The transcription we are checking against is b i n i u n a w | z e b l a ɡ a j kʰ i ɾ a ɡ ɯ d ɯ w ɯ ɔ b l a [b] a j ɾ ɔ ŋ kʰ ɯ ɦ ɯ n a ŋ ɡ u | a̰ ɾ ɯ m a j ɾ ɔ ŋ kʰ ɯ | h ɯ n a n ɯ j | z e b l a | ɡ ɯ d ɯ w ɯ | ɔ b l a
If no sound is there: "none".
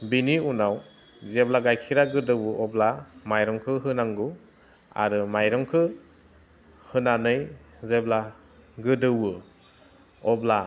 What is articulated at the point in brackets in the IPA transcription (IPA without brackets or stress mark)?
m